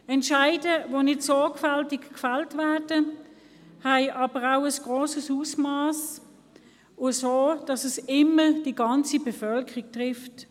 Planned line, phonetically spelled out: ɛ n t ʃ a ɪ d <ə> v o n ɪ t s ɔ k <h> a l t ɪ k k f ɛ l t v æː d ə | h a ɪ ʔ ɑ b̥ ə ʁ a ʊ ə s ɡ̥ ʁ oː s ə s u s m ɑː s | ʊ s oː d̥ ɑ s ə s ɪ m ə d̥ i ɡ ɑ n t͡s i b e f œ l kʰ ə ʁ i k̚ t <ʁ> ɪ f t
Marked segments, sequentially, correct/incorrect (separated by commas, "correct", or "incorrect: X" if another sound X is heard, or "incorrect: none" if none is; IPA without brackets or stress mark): correct, incorrect: f, correct